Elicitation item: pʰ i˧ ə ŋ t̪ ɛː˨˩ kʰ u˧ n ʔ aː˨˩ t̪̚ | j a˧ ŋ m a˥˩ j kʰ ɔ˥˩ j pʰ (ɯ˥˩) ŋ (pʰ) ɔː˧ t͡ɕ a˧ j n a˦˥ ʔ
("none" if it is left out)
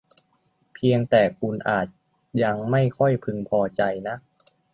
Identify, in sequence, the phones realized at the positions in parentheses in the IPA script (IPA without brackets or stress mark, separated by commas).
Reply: ɯ˧, pʰ